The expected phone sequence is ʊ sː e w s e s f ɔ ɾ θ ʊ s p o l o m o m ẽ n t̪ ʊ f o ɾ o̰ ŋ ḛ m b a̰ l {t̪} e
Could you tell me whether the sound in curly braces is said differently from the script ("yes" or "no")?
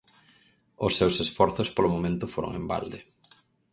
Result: yes